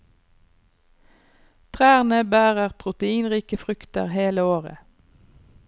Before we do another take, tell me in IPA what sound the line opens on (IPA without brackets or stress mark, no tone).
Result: t̪ʰ